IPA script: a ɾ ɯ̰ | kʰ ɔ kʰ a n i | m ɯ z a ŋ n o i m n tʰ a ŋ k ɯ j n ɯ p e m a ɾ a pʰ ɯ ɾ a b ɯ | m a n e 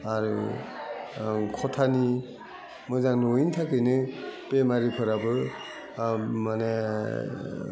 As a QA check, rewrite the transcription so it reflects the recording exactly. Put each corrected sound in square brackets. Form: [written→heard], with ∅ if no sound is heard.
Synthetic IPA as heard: a ɾ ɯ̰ | kʰ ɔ [kʰ→tʰ] a n i | m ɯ z a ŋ n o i [m→∅] n tʰ a [ŋ→∅] k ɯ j n ɯ p e m a ɾ [a→i] pʰ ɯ ɾ a b ɯ | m a n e